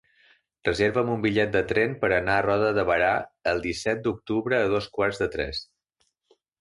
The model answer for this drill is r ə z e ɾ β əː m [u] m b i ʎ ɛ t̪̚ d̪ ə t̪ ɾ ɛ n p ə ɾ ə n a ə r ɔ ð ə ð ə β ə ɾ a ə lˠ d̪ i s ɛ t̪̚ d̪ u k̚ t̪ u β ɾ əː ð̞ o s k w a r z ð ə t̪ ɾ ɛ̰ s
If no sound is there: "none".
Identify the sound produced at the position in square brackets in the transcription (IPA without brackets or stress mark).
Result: u